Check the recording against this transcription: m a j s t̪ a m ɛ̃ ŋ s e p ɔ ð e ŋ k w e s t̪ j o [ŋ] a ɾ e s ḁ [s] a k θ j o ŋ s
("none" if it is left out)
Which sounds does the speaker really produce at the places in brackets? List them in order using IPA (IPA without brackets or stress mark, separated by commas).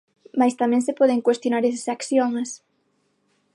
n, s